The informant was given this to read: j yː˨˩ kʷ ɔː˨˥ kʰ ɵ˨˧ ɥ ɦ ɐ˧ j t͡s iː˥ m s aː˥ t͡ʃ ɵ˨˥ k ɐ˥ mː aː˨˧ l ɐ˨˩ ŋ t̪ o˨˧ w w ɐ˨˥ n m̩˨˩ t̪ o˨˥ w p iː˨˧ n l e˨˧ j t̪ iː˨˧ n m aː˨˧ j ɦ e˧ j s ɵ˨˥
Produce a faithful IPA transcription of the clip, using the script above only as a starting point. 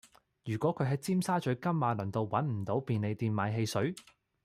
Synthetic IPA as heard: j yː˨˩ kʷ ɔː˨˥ kʰ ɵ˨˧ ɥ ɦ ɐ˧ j t͡s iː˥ m s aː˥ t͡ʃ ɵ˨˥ k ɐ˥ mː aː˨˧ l ɐ˨˩ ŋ t̪ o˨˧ w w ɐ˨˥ n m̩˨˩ t̪ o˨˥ w p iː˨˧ n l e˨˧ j t̪ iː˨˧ n m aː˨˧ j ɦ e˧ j s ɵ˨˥